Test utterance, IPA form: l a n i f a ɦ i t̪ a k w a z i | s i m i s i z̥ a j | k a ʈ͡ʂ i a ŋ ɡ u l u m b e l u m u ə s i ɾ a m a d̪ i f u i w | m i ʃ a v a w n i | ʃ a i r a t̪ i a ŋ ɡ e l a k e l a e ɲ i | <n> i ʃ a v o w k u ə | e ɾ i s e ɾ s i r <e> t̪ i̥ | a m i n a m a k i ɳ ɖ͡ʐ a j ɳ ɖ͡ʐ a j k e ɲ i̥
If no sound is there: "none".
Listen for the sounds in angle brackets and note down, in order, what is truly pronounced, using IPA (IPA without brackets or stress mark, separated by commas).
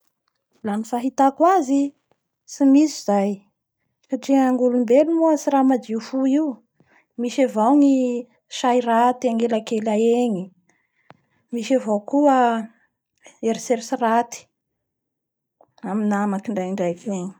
m, a